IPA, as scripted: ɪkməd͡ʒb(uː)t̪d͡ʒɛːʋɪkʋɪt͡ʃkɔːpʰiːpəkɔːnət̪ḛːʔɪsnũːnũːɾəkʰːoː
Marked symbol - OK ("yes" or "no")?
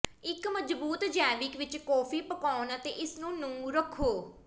yes